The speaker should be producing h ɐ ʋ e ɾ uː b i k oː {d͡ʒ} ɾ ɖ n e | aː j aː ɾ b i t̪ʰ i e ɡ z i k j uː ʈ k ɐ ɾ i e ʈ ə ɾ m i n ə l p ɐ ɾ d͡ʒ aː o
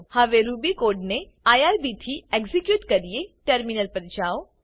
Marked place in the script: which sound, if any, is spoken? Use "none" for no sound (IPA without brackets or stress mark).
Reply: none